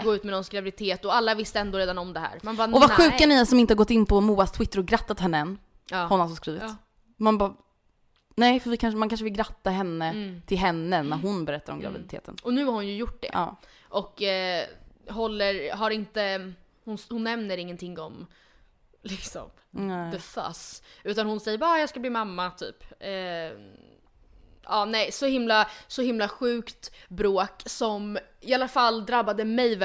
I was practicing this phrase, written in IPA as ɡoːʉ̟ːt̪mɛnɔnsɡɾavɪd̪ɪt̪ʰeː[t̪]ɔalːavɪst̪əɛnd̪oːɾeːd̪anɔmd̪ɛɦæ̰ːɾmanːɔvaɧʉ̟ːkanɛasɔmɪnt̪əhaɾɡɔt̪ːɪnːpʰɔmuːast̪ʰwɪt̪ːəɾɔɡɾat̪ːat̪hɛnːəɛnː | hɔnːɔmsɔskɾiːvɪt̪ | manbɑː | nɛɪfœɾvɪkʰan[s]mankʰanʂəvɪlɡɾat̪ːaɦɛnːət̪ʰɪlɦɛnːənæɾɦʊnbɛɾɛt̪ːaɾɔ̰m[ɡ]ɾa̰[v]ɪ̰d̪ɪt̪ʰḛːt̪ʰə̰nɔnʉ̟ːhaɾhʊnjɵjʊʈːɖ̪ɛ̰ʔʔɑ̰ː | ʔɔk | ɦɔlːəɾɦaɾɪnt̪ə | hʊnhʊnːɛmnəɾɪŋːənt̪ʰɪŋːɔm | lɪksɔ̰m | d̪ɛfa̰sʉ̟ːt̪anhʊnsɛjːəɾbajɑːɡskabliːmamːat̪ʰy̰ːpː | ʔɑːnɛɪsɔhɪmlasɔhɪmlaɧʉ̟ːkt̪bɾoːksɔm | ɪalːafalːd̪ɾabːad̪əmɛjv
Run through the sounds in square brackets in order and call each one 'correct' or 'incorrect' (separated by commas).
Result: correct, incorrect, correct, correct